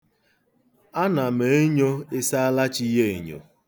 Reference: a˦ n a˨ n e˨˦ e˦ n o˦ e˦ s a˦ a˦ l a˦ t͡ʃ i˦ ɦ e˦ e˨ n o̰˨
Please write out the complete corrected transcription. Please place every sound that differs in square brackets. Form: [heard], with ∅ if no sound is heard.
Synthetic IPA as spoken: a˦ n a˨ [m] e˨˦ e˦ [ɲ] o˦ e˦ s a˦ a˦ l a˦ t͡ʃ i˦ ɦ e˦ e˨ [ɲ] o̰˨